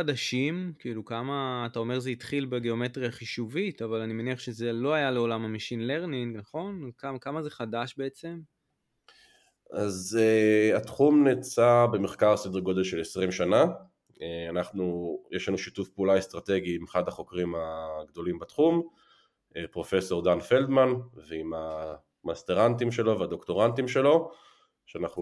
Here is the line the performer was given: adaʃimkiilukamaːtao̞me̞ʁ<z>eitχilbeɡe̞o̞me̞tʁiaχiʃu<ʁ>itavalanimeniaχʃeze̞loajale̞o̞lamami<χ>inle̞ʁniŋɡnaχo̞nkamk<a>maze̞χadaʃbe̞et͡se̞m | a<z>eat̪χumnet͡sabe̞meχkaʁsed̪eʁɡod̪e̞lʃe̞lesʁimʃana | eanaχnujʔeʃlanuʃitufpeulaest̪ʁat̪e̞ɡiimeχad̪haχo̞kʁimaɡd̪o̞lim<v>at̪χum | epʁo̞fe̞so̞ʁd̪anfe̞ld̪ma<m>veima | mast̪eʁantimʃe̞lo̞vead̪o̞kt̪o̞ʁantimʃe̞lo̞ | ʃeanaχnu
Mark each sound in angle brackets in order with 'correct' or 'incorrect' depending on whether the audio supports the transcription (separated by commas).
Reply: correct, incorrect, incorrect, correct, correct, incorrect, incorrect